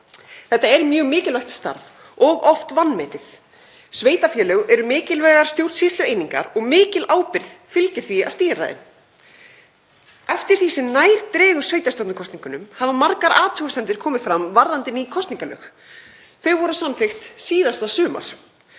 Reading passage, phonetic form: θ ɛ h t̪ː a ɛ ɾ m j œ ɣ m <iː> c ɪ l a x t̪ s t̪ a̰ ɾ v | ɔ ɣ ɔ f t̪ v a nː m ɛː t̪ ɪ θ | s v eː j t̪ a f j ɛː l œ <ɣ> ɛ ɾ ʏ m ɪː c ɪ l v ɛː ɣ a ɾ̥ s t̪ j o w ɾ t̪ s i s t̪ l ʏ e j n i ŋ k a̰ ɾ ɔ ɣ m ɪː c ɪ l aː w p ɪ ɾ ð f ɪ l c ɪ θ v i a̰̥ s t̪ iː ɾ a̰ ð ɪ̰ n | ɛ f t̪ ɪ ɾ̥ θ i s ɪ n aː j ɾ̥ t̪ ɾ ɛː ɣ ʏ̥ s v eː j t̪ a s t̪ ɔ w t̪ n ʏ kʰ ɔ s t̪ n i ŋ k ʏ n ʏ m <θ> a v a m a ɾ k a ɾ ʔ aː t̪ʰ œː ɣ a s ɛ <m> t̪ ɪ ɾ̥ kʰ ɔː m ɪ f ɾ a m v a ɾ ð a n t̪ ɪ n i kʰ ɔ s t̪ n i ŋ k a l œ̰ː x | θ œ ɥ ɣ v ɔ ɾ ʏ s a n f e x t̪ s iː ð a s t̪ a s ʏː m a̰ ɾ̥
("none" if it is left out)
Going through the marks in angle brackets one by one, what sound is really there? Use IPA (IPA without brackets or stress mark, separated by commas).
ɪː, ɣ, h, n